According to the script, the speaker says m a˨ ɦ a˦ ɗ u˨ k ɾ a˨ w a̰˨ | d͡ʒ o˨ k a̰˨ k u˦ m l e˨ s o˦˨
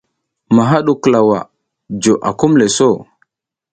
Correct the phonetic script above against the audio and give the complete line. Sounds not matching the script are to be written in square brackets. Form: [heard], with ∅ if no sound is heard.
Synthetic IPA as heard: m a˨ ɦ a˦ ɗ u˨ k [l] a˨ w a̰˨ | d͡ʒ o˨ [ʔ] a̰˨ k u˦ m l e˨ s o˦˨